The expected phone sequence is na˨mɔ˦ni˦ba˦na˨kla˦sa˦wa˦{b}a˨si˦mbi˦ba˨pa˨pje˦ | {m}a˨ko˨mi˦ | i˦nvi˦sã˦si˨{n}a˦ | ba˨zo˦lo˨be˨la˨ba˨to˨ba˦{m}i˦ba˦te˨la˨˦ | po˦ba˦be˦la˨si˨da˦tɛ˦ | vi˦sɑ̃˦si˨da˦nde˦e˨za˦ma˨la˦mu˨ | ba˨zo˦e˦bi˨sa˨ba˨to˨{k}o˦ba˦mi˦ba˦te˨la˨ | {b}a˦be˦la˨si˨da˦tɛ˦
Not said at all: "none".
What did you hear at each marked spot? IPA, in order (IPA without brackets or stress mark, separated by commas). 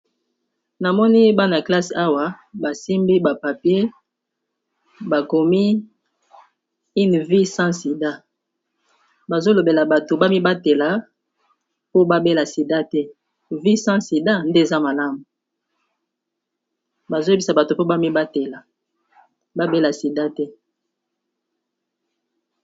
b, b, d, m, p, b